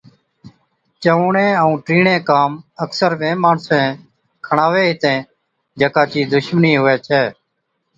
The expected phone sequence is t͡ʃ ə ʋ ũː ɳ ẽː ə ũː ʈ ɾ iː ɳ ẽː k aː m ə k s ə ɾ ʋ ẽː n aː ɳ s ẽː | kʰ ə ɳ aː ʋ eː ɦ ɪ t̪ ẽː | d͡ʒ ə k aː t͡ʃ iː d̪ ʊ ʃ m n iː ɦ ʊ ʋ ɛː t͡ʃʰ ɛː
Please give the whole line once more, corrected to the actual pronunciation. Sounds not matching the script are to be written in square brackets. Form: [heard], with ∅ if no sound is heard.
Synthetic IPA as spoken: t͡ʃ ə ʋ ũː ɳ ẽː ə ũː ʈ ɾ iː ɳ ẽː k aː m ə k s ə ɾ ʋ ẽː [m] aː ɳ s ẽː | kʰ ə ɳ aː ʋ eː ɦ ɪ t̪ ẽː | d͡ʒ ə k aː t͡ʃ iː d̪ ʊ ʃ m n iː ɦ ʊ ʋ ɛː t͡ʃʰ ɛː